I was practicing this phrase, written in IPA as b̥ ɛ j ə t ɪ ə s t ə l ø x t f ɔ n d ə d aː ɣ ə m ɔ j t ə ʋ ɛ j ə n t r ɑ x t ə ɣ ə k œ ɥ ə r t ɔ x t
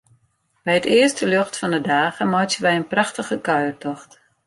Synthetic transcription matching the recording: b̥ ɛ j ə t ɪ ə s t ə l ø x t f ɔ n d ə d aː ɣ ə m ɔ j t ə ʋ ɛ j ə n p r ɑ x t ə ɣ ə k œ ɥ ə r t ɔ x t